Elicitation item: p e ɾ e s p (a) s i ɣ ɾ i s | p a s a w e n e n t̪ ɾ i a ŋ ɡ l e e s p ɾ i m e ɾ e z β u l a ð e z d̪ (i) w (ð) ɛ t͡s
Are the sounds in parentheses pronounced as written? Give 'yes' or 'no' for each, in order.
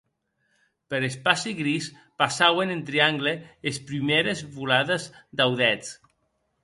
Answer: yes, no, yes

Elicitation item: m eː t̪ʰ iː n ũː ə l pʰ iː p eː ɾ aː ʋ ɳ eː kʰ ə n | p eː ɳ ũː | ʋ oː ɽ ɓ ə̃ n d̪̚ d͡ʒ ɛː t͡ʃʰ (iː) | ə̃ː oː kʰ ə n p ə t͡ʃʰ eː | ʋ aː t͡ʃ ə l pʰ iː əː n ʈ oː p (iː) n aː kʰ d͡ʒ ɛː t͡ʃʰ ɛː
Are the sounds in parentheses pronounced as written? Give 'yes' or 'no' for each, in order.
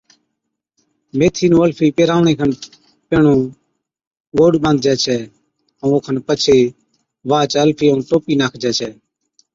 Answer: no, yes

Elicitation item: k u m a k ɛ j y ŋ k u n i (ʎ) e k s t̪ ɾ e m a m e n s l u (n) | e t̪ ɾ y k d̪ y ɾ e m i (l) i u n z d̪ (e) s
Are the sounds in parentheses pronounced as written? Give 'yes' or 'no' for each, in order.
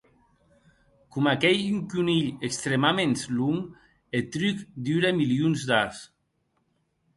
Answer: yes, no, yes, no

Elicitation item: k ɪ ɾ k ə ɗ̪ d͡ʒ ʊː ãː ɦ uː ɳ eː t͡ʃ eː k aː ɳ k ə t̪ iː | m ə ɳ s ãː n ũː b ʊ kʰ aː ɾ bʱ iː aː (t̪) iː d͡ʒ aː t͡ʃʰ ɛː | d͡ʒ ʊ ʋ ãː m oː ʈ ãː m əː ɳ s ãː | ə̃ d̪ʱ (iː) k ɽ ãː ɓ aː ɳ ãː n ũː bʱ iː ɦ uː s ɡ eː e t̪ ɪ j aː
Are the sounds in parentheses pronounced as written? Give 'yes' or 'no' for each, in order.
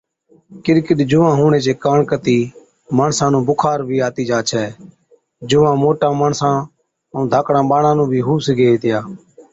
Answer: yes, no

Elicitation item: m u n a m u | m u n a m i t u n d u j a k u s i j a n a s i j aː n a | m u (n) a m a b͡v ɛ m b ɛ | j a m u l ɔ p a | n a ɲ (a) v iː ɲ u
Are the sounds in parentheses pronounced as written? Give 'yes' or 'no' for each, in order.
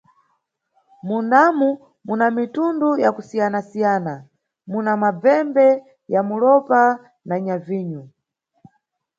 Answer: yes, yes

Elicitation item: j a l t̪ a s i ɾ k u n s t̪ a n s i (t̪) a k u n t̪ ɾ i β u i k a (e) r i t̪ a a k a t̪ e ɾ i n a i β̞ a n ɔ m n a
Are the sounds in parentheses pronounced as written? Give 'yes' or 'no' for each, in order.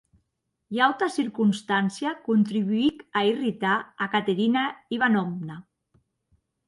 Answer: no, no

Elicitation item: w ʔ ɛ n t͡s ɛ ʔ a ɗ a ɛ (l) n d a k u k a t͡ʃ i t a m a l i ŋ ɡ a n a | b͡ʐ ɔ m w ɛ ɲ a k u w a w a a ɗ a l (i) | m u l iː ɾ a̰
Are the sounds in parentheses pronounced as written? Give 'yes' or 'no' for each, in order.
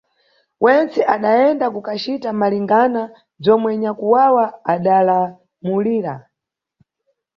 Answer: no, no

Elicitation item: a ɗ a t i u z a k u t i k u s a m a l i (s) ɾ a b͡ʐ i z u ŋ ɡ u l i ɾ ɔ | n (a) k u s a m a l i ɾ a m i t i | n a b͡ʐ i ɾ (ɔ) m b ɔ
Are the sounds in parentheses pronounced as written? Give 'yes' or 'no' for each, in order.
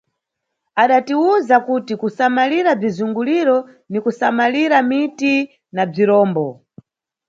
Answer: no, no, no

